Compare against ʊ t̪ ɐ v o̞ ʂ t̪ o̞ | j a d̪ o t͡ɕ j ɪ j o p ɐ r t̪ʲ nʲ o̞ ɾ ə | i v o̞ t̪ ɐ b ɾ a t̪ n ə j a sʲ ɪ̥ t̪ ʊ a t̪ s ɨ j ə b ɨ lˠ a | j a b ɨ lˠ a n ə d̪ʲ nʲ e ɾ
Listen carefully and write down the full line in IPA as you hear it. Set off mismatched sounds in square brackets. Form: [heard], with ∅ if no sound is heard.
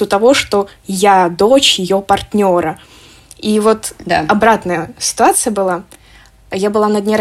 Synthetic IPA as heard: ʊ t̪ ɐ v o̞ ʂ t̪ o̞ | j a d̪ o t͡ɕ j ɪ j o p ɐ r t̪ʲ nʲ o̞ ɾ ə | i v o̞ t̪ ɐ b ɾ a t̪ n ə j [ə] sʲ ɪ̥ t̪ ʊ a t̪ s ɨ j ə b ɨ lˠ a | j a b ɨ lˠ a n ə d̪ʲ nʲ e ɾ